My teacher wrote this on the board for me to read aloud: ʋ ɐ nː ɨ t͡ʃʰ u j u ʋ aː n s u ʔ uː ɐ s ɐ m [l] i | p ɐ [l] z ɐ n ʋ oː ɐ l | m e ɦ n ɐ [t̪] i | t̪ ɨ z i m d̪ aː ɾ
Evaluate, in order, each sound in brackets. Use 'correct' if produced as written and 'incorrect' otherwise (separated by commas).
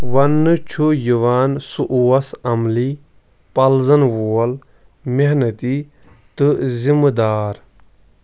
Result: correct, correct, correct